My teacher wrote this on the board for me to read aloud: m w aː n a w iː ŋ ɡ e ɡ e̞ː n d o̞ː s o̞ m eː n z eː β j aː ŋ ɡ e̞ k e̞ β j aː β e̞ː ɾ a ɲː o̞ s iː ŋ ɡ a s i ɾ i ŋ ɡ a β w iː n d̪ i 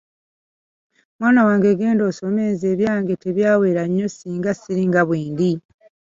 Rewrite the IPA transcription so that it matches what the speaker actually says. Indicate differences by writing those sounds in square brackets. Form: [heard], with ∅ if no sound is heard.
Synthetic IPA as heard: m w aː n a w [aː] ŋ ɡ e ɡ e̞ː n d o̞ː s o̞ m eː n z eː β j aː ŋ ɡ e̞ [t] e̞ β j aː [w] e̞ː ɾ a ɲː o̞ s iː ŋ ɡ a s i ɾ i ŋ ɡ a β w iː n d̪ i

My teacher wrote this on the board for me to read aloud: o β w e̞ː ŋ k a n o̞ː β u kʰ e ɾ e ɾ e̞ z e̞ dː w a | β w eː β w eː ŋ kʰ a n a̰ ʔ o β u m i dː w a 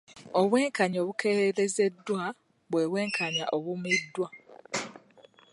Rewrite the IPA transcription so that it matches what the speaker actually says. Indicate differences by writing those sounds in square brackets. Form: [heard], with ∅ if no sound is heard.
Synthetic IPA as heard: o β w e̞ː ŋ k a [ɲ] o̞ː β u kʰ e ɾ e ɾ e̞ z e̞ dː w a | β w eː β w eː ŋ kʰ a [ɲ] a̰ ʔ o β u m i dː w a

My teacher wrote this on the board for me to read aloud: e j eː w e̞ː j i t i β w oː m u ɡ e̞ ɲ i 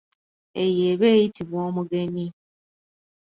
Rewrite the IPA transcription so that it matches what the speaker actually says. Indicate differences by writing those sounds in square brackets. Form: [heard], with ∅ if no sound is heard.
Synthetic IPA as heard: e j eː [β] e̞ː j i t i β w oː m u ɡ e̞ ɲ i

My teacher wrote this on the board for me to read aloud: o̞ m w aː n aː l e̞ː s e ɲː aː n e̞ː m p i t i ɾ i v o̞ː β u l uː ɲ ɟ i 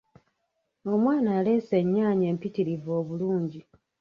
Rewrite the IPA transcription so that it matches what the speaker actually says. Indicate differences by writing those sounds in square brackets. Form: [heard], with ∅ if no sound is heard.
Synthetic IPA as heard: o̞ m w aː n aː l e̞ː s e ɲː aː [ɲ] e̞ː m p i t i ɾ i v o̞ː β u l uː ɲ ɟ i

